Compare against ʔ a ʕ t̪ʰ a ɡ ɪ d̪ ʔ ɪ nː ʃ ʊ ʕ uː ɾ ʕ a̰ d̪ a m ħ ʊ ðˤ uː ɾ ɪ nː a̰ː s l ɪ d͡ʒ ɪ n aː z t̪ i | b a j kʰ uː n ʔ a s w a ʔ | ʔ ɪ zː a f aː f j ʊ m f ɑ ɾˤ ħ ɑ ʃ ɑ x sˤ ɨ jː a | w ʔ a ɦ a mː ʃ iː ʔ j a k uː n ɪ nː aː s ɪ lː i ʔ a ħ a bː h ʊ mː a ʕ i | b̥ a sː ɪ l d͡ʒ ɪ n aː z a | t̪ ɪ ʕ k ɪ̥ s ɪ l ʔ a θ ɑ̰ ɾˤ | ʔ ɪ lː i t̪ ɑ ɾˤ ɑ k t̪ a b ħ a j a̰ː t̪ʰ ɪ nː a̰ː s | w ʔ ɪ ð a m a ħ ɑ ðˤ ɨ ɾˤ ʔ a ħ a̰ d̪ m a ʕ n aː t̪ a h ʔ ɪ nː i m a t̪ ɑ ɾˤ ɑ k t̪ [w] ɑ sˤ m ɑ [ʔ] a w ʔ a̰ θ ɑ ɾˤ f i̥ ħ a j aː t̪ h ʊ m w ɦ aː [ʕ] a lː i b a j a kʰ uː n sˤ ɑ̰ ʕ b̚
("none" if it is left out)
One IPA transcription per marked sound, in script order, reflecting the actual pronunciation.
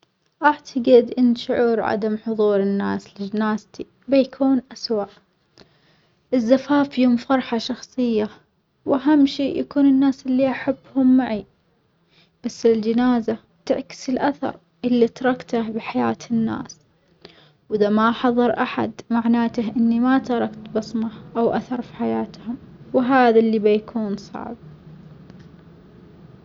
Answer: b, ʔ, ð

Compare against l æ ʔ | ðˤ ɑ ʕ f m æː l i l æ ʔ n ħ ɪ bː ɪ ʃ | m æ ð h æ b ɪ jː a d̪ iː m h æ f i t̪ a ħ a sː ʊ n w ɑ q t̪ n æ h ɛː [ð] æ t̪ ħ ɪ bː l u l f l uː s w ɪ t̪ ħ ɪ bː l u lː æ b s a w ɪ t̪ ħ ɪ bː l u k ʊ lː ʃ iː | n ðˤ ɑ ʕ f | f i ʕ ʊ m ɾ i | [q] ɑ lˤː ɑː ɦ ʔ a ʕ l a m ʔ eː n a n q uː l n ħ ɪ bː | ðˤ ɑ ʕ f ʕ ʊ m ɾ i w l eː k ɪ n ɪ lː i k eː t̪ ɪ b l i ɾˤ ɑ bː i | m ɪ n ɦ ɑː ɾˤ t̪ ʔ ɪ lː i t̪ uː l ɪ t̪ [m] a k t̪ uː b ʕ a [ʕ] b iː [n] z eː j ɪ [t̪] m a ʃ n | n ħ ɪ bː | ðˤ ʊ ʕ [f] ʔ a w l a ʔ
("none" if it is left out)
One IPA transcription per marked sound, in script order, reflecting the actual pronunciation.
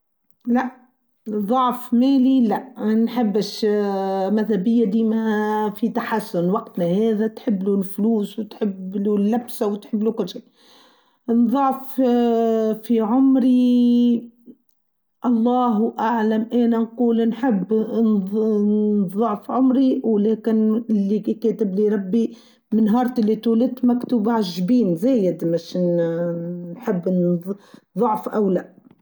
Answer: ð, ʔ, m, ʒ, n, d̪, f

